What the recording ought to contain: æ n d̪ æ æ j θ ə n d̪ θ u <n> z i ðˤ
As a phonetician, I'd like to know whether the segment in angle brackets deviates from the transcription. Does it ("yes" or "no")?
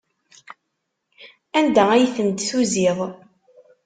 yes